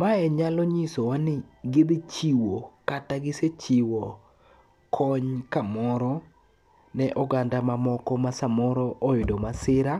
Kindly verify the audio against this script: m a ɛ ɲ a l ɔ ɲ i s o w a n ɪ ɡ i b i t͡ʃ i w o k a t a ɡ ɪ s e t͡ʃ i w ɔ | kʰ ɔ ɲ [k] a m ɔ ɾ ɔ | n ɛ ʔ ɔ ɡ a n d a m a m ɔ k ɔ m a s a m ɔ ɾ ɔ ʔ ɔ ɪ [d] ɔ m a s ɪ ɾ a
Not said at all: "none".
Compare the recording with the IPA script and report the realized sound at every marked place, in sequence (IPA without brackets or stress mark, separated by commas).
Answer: k, d